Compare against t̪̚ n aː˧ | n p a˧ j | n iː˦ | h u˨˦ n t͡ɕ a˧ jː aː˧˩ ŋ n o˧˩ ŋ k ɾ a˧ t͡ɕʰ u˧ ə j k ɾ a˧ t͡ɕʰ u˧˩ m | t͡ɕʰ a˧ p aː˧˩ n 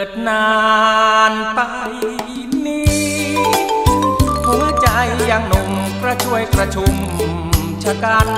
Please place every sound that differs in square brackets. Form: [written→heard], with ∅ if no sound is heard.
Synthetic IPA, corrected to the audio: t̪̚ n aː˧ | n p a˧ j | n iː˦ | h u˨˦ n t͡ɕ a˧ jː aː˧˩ ŋ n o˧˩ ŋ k ɾ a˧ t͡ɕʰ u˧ ə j k ɾ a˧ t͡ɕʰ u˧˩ m | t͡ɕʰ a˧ [p→k] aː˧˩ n